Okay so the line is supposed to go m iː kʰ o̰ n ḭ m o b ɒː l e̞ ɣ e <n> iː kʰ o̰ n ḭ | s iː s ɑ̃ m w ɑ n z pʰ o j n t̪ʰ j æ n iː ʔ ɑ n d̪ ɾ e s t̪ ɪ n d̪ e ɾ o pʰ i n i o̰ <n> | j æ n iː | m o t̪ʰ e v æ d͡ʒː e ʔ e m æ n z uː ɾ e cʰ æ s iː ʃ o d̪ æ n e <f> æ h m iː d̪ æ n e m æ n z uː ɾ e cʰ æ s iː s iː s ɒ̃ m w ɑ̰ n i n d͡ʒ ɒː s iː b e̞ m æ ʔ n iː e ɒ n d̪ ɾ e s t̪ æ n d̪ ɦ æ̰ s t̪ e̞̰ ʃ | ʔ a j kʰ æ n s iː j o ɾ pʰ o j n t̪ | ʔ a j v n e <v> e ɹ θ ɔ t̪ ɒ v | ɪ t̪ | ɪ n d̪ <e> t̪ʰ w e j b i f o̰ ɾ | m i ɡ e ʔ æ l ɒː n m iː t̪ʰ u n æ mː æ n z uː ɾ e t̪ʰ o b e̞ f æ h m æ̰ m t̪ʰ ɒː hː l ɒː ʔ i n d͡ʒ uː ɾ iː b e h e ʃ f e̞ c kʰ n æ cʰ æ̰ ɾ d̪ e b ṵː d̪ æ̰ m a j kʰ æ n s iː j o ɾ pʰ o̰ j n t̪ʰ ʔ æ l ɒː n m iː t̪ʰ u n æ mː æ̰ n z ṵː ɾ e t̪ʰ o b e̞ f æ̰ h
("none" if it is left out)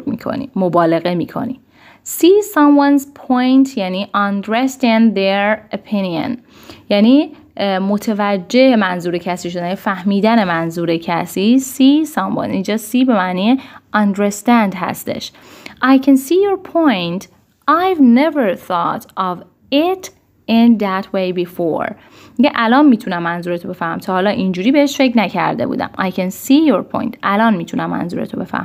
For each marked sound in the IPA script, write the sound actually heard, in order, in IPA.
m, n, f, v, æ

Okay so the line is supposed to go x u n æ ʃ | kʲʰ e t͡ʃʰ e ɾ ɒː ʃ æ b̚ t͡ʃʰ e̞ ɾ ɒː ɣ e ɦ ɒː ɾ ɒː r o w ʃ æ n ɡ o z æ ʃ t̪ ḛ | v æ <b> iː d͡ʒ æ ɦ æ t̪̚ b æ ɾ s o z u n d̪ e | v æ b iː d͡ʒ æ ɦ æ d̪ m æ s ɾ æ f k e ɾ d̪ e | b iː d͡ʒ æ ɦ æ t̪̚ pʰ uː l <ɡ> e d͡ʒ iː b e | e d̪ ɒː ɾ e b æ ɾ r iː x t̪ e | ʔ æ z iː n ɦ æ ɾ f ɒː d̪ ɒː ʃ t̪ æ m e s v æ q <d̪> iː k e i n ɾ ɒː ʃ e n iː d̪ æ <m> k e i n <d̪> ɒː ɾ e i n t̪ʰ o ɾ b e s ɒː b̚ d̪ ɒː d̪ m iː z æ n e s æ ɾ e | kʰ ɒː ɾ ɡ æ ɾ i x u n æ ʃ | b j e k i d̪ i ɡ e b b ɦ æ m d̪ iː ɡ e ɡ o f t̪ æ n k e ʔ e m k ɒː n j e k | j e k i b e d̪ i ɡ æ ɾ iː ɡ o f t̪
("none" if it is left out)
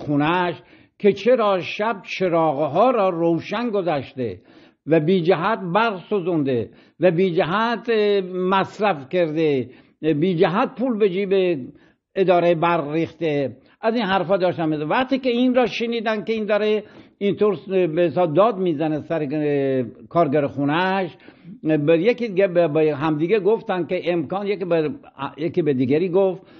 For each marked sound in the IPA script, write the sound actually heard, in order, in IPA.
b, b, t̪, n, d̪

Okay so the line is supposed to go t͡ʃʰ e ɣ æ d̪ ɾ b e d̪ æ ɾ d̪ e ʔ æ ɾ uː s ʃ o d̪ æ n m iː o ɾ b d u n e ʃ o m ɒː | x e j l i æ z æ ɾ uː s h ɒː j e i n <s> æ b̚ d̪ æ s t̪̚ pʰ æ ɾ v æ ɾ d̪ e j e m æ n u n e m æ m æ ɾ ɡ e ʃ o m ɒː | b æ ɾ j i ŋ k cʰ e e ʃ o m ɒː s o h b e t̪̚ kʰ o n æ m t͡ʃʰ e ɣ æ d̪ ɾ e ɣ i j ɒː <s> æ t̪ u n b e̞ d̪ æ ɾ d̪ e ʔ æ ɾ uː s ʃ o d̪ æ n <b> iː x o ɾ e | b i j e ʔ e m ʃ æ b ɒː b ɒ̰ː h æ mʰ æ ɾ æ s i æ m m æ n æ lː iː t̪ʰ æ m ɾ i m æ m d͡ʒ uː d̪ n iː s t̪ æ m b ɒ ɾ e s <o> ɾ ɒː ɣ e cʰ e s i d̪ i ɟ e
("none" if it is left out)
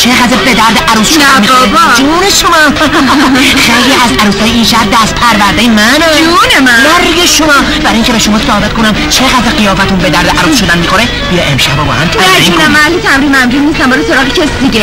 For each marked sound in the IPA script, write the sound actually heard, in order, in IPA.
ʃ, f, m, o

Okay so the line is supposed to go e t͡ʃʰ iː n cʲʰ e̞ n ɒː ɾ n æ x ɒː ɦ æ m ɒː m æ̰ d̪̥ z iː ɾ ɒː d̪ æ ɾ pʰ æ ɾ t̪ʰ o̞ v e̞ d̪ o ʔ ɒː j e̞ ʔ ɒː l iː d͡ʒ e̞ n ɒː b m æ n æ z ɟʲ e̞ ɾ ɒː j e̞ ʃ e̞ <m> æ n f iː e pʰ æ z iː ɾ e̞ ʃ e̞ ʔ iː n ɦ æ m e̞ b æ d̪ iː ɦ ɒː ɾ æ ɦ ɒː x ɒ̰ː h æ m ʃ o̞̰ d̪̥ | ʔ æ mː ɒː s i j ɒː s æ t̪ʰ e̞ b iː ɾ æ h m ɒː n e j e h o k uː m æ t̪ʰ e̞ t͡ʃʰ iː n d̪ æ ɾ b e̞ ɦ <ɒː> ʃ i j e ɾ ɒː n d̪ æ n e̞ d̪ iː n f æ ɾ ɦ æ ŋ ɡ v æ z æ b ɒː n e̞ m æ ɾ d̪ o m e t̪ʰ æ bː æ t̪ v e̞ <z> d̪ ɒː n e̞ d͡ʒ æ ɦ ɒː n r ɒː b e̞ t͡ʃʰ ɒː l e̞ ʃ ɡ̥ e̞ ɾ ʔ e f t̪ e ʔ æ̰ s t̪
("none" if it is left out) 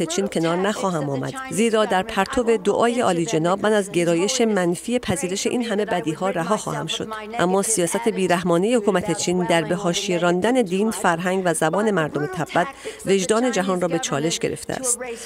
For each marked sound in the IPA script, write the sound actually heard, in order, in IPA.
m, ɒː, ʒ

